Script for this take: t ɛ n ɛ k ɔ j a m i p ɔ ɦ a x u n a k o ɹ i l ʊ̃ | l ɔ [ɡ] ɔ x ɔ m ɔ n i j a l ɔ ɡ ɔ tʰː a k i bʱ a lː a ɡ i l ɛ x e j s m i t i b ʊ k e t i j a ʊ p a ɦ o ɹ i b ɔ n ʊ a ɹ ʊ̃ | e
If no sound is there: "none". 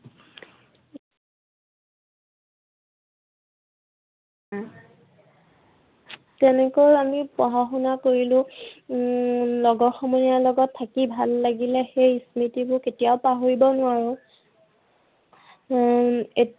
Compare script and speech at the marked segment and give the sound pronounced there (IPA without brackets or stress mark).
ɡ